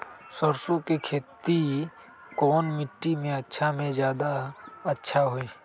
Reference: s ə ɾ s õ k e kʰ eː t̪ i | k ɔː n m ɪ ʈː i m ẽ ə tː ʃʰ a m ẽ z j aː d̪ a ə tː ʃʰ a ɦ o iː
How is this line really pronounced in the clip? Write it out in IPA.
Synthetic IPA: s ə ɾ s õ k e kʰ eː t̪ i | k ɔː n m ɪ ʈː i m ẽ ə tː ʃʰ a m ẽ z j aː d̪ a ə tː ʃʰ a ɦ o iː